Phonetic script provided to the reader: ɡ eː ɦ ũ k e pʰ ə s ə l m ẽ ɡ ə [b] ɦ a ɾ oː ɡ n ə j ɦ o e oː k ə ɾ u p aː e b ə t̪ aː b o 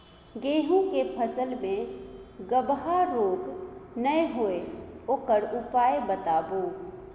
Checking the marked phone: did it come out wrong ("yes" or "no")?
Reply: no